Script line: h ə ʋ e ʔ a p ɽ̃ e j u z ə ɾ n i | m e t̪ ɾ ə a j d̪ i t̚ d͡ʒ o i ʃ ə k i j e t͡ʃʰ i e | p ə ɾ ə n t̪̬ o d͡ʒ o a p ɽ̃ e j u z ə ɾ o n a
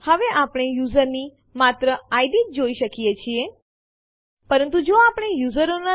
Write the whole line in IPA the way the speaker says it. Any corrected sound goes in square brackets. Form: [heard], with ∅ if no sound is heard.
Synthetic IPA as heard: h ə ʋ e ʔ a p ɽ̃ e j u z ə ɾ n i | m [a] t̪ ɾ ə a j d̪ i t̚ d͡ʒ o i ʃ ə k i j e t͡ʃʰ i e | p ə ɾ ə n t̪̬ [u] d͡ʒ o a p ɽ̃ e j u z ə ɾ o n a